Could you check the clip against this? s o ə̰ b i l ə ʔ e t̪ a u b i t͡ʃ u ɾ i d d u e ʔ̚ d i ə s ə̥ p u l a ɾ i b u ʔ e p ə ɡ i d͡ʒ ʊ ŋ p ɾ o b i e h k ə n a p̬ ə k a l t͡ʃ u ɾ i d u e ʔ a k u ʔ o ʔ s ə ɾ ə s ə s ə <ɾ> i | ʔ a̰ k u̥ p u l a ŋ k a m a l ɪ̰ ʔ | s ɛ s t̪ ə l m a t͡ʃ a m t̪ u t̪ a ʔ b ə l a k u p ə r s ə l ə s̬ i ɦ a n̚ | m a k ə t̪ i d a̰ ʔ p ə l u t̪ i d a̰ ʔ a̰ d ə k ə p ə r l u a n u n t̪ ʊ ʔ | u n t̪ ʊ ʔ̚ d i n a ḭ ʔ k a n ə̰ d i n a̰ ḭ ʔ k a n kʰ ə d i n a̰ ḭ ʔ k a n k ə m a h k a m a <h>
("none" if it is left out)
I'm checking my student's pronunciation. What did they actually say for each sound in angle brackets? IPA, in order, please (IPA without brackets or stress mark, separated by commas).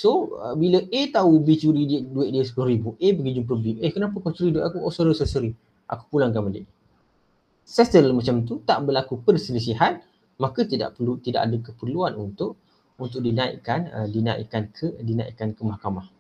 ɾ, h